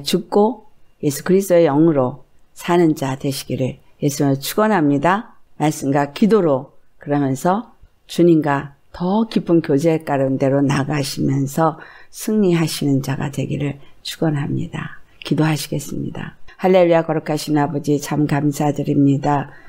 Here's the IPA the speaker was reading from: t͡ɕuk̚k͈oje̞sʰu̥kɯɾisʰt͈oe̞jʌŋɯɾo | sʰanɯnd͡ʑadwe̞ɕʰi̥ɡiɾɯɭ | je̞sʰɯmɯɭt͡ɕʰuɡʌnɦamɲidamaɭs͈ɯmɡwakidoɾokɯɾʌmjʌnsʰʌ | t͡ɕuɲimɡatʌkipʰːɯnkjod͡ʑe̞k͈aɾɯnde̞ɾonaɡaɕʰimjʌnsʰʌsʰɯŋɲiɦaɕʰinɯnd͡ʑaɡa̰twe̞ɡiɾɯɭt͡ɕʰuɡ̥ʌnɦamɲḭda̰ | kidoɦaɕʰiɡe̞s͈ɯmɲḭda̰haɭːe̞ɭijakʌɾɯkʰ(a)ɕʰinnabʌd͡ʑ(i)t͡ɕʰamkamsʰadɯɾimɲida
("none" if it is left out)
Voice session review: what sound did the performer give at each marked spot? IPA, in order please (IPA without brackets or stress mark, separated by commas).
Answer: a, i